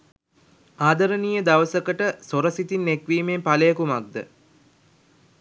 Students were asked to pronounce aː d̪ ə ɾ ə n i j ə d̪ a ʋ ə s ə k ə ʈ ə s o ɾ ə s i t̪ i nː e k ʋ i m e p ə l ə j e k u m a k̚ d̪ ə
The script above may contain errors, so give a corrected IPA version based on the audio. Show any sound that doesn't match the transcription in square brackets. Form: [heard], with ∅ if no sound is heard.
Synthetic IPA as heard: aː d̪ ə ɾ ə n i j ə d̪ a ʋ ə s ə k ə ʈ ə s o ɾ ə s i t̪ i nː e k ʋ [iː] m e p [a] l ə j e k u m a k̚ d̪ ə